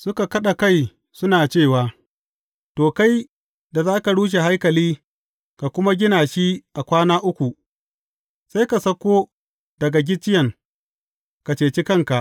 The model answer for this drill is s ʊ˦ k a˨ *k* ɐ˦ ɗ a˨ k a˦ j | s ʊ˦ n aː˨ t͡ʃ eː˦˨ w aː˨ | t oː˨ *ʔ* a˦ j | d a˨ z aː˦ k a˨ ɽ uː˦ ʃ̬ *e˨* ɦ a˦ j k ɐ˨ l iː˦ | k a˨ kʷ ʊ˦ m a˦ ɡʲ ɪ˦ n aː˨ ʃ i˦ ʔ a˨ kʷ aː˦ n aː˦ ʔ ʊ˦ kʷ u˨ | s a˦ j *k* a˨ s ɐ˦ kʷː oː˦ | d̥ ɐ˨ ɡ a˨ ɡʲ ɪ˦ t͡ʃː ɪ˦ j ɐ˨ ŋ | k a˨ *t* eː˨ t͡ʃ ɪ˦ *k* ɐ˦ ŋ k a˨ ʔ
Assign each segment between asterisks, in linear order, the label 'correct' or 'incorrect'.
correct, incorrect: k, correct, correct, incorrect: t͡ʃ, correct

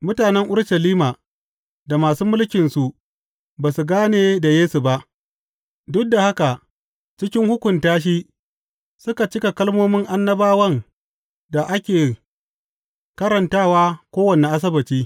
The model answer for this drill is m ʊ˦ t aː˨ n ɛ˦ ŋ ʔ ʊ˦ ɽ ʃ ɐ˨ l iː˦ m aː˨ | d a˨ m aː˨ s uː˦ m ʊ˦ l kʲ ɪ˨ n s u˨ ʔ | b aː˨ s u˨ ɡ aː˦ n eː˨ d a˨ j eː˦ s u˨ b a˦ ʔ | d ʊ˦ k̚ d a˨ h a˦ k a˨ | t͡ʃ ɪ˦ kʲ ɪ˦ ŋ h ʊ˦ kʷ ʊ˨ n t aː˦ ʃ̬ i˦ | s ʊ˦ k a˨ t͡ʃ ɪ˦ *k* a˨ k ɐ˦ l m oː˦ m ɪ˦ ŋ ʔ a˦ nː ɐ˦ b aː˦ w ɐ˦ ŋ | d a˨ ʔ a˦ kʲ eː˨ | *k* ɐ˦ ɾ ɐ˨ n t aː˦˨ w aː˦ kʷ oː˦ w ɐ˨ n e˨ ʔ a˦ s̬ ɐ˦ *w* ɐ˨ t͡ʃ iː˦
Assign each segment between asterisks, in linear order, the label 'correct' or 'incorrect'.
correct, correct, incorrect: b

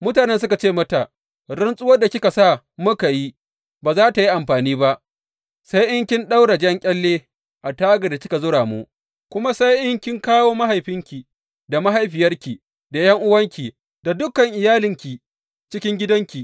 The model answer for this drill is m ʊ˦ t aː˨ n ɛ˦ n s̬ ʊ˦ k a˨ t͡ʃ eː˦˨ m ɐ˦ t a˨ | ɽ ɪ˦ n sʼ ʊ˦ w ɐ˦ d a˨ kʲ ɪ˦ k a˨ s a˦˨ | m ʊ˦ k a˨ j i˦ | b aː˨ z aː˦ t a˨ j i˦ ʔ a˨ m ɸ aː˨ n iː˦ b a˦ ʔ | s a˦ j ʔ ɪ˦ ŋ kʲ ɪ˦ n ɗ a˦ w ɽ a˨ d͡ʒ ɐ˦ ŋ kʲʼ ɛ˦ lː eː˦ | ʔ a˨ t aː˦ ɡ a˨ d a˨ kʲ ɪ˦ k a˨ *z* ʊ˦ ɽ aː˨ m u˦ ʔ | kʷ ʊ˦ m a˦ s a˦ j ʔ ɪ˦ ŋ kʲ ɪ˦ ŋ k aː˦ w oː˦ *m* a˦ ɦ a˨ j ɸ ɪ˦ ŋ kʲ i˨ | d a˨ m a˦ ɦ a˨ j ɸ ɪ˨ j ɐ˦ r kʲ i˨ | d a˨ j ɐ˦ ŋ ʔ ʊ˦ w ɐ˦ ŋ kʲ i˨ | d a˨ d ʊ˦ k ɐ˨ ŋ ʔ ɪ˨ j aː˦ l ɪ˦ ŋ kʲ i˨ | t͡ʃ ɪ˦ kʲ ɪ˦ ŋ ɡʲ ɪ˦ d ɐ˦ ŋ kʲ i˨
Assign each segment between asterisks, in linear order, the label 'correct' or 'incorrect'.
correct, correct

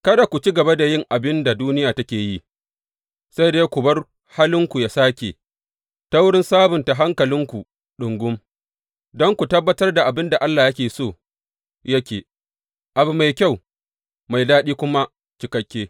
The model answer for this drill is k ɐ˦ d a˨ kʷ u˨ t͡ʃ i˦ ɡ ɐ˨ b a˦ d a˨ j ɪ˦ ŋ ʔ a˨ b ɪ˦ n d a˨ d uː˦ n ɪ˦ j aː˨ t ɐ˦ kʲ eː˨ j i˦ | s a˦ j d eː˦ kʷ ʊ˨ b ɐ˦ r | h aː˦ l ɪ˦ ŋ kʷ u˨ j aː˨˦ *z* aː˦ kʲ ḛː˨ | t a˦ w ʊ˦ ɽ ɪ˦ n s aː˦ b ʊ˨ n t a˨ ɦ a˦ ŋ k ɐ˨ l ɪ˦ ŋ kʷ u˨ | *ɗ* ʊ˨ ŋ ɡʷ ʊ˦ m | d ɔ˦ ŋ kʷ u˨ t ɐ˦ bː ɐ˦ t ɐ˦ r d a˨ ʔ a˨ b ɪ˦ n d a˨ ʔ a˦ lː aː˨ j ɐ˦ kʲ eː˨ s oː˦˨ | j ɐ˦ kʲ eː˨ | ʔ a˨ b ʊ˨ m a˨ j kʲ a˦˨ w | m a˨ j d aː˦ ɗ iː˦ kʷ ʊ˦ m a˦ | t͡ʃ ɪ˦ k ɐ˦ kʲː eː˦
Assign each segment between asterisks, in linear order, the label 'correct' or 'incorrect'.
incorrect: s, correct

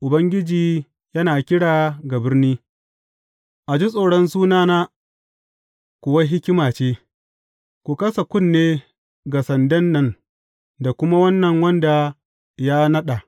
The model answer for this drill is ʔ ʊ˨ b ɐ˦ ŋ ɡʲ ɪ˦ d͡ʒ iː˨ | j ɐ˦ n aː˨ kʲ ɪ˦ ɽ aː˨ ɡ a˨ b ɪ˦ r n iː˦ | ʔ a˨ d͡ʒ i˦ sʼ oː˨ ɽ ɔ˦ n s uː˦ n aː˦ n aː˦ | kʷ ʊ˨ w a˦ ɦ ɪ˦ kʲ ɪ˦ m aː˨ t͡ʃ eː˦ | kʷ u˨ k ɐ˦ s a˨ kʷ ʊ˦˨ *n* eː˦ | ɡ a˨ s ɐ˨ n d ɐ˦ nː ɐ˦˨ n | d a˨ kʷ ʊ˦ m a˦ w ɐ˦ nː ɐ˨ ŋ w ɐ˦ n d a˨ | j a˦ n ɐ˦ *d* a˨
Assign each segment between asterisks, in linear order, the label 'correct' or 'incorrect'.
incorrect: nː, incorrect: ɗ

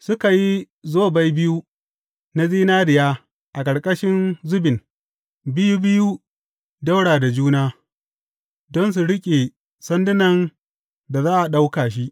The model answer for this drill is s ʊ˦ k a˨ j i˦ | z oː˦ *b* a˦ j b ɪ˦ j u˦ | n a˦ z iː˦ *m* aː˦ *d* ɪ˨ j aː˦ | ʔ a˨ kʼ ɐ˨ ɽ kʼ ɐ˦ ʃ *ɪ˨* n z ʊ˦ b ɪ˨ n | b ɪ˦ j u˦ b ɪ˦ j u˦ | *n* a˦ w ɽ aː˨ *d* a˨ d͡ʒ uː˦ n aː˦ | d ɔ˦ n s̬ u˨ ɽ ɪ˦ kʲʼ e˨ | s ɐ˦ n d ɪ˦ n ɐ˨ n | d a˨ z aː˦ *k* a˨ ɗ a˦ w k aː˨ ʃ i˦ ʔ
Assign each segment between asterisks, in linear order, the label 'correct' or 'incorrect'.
correct, incorrect: n, correct, incorrect: ɪ˦, incorrect: d, correct, incorrect: ʔ

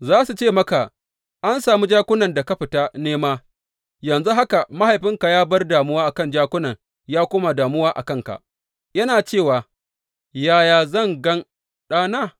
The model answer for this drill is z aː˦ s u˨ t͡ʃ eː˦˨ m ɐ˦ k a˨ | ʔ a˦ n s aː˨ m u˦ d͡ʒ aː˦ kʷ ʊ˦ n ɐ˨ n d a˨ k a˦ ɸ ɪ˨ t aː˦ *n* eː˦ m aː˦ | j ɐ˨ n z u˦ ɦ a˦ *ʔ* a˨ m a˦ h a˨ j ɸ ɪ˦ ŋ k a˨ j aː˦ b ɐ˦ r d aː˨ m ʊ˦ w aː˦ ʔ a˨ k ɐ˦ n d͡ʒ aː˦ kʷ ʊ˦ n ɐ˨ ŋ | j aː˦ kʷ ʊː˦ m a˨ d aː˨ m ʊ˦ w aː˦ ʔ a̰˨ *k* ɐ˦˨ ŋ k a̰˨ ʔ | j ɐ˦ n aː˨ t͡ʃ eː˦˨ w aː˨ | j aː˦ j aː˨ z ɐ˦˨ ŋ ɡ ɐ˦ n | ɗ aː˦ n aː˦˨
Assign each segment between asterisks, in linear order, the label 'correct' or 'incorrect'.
correct, incorrect: k, correct

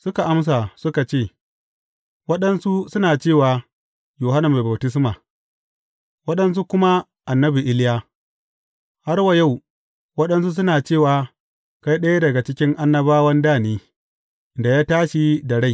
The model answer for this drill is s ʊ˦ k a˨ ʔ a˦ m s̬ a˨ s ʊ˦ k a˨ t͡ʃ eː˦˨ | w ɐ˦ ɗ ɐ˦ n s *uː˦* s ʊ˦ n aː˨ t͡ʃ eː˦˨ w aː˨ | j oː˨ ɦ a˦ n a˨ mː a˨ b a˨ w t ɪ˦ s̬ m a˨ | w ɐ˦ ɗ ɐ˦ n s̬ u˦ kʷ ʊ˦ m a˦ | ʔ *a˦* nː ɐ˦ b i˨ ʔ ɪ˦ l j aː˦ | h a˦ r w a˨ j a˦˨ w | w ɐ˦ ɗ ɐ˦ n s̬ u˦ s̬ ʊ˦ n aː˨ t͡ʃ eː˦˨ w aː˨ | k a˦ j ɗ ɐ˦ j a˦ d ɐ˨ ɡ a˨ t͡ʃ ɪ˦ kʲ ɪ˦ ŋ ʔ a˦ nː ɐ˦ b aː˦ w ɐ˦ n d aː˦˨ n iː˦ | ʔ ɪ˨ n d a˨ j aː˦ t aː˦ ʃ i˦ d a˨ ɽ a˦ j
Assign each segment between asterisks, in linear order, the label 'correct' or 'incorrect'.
incorrect: u˦, incorrect: a˨

